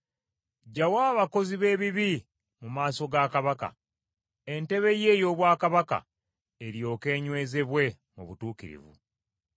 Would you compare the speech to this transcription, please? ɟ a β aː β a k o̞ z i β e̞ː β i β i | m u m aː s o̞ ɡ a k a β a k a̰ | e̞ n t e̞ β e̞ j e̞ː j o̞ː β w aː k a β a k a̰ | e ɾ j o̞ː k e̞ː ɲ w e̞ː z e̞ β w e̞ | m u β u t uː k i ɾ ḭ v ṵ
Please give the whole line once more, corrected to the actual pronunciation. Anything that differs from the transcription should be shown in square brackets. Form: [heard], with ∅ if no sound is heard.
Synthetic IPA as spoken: ɟ a [w] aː β a k o̞ z i β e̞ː β i β i | m u m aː s o̞ ɡ a k a β a k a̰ | e̞ n t e̞ β e̞ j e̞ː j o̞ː β w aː k a β a k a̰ | e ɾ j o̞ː k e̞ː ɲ w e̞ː z e̞ β w e̞ | m u β u t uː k i ɾ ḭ v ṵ